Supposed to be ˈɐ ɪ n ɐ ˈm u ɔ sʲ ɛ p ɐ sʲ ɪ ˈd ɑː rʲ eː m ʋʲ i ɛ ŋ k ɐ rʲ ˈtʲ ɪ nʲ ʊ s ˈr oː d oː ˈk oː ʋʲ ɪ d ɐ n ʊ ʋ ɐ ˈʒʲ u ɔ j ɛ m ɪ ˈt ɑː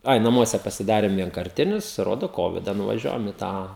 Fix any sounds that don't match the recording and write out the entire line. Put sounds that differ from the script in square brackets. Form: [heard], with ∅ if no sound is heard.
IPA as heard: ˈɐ ɪ n ɐ ˈm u ɔ sʲ ɛ p ɐ sʲ ɪ ˈd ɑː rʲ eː m ʋʲ i ɛ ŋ k ɐ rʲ ˈtʲ ɪ nʲ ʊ s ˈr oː d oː ˈk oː ʋʲ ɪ d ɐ n ʊ ʋ ɐ ˈʒʲ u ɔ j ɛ m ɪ ˈt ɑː

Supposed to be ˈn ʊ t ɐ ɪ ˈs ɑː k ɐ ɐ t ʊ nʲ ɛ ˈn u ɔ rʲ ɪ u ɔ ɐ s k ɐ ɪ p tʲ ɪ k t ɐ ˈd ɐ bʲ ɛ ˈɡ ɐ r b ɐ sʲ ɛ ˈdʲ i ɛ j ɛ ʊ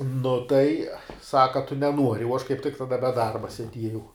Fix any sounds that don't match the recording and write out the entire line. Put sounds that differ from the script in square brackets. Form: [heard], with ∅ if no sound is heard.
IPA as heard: ˈn ʊ t ɐ ɪ ˈs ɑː k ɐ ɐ t ʊ nʲ ɛ ˈn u ɔ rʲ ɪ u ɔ ɐ [ʃ] k ɐ ɪ p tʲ ɪ k t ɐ ˈd ɐ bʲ ɛ [ˈd] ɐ r b ɐ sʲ ɛ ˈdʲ i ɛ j ɛ ʊ

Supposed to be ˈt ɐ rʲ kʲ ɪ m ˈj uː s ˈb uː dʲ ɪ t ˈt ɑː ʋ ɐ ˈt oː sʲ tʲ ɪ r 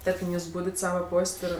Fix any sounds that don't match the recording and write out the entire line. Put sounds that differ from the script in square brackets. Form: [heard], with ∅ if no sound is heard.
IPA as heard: ˈt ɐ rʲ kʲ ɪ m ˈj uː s ˈb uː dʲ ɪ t [ˈs] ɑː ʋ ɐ [ˈp] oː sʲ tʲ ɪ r

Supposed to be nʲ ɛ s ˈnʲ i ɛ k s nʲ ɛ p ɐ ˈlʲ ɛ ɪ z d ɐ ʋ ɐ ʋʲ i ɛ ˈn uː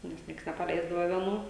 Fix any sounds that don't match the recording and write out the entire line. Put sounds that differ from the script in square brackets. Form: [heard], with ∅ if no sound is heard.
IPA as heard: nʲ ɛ s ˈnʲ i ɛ k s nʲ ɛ p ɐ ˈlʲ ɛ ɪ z d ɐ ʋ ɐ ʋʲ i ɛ ˈn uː

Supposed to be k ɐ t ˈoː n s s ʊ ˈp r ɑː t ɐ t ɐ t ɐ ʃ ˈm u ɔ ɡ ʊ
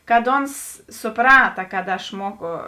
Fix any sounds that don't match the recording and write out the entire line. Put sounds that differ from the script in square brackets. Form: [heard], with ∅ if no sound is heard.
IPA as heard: k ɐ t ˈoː n s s ʊ ˈp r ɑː t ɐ [k] ɐ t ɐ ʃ ˈm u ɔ [k] ʊ

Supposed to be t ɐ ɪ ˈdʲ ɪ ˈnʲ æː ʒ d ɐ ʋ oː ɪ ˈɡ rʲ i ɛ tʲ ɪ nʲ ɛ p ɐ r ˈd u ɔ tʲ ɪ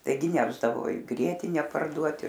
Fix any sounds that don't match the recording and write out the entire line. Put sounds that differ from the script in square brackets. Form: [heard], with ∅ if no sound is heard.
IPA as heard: t ɐ ɪ [ˈɡʲ] ɪ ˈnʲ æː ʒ d ɐ ʋ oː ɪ ˈɡ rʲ i ɛ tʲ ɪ nʲ ɛ p ɐ r ˈd u ɔ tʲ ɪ

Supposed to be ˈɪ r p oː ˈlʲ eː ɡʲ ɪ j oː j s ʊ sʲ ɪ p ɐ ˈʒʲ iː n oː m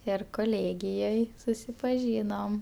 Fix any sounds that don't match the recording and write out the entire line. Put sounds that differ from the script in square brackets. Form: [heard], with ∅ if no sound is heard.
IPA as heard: ˈɪ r [k] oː ˈlʲ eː ɡʲ ɪ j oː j s ʊ sʲ ɪ p ɐ ˈʒʲ iː n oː m

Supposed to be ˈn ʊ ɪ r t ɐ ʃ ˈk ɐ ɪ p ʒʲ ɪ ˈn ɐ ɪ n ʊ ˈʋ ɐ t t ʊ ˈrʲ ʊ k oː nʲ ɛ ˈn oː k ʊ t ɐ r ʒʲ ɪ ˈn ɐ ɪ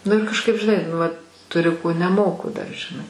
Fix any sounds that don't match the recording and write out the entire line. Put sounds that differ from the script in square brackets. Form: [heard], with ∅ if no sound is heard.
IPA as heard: ˈn ʊ ɪ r [k] ɐ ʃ ˈk ɐ ɪ p ʒʲ ɪ ˈn ɐ ɪ n ʊ ˈʋ ɐ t t ʊ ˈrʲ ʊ k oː nʲ ɛ [ˈm] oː k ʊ [d] ɐ r ʒʲ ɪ ˈn ɐ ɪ

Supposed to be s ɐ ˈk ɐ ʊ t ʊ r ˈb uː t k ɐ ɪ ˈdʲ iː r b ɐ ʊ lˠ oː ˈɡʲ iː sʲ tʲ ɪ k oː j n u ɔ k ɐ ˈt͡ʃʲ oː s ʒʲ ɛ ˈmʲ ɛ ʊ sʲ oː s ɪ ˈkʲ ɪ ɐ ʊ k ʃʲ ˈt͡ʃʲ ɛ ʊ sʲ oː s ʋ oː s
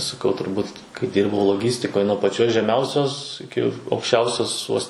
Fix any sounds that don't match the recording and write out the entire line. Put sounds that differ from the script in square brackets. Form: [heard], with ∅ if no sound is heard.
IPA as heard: s ɐ ˈk ɐ ʊ t ʊ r ˈb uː t k ɐ ɪ ˈdʲ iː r b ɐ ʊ lˠ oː ˈɡʲ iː sʲ tʲ ɪ k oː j n u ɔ [p] ɐ ˈt͡ʃʲ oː s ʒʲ ɛ ˈmʲ ɛ ʊ sʲ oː s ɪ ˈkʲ ɪ ɐ ʊ k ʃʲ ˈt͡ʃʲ ɛ ʊ sʲ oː s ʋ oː s

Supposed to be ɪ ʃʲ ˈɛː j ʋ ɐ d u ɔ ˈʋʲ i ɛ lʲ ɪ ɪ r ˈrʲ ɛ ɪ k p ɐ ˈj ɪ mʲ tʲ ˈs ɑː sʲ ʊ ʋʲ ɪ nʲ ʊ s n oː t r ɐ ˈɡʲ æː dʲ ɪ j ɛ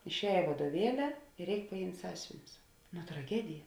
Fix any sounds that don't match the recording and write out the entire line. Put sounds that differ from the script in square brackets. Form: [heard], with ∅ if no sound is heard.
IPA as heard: ɪ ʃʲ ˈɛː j ʋ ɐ d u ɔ ˈʋʲ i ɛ lʲ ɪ ɪ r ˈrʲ ɛ ɪ k p ɐ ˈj ɪ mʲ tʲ ˈs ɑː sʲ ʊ ʋʲ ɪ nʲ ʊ s n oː t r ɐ ˈɡʲ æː dʲ ɪ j ɛ

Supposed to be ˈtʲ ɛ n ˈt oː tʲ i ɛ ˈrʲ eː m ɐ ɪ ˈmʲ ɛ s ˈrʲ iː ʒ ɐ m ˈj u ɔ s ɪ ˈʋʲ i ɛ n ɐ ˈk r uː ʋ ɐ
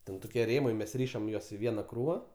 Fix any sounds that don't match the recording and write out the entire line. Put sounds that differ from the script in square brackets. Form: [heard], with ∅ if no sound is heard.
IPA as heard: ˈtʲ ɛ n ˈt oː [kʲ] i ɛ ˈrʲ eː m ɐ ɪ ˈmʲ ɛ s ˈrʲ iː [ʃ] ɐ m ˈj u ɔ s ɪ ˈʋʲ i ɛ n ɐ ˈk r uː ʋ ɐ

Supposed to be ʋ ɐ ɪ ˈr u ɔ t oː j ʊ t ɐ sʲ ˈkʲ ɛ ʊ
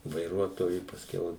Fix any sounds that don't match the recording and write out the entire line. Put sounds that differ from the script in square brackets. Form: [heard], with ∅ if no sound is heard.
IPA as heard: ʋ ɐ ɪ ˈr u ɔ t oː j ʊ [p] ɐ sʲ ˈkʲ ɛ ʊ

